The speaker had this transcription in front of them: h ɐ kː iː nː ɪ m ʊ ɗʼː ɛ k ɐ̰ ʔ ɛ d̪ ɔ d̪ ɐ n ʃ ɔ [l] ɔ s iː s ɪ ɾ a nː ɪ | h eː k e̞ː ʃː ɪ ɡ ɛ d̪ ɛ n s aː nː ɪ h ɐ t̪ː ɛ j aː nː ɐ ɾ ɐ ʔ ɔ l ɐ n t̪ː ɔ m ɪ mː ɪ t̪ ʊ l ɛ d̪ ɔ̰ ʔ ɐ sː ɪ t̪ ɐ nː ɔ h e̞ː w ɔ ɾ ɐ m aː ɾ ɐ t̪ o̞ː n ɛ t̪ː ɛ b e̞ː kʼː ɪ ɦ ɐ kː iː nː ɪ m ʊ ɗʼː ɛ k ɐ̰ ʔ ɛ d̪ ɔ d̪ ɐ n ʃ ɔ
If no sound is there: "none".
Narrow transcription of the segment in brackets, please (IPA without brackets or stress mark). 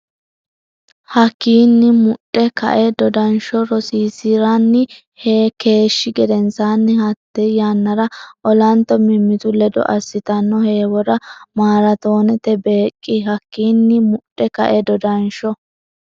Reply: ɾ